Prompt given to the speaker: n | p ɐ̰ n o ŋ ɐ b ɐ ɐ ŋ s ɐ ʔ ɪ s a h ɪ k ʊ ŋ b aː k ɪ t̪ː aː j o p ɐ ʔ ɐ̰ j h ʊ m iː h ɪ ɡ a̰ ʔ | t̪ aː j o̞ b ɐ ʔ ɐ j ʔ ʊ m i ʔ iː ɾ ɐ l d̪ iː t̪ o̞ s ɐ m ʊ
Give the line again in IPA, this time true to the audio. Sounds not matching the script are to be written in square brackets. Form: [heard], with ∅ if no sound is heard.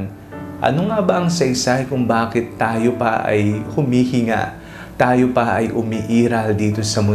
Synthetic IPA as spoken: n | [ʔ] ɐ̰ n o ŋ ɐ b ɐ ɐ ŋ s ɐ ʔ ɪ s a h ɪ k ʊ ŋ b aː k ɪ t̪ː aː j o p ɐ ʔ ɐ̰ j h ʊ m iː h ɪ [ŋ] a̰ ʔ | t̪ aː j o̞ [p] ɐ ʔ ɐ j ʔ ʊ m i ʔ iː ɾ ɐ l d̪ iː t̪ o̞ s ɐ m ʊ